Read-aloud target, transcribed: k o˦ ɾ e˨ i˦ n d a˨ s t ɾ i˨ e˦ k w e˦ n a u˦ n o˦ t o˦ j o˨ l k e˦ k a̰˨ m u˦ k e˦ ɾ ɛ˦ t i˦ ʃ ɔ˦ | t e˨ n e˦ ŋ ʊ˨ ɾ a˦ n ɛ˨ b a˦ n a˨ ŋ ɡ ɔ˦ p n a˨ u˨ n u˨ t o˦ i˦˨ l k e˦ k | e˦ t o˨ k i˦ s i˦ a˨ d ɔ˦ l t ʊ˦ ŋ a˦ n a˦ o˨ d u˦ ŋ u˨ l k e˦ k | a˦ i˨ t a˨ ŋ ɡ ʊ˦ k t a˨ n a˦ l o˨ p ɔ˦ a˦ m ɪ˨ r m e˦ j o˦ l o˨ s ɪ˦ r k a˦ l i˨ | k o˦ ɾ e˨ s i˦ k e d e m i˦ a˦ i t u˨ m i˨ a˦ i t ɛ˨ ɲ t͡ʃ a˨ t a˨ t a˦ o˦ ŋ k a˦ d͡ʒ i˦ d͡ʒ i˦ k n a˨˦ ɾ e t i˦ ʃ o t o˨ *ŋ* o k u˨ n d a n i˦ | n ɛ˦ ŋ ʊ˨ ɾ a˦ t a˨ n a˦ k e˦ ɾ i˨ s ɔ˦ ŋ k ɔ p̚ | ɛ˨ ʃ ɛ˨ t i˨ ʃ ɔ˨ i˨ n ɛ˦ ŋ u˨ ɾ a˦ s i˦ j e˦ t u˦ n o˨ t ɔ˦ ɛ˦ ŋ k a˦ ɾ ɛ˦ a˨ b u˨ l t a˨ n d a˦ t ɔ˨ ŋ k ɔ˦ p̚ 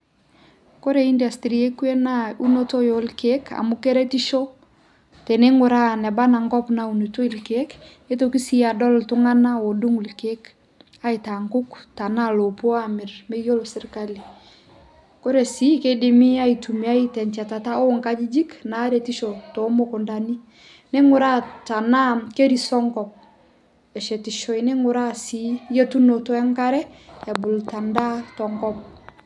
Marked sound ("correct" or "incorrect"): incorrect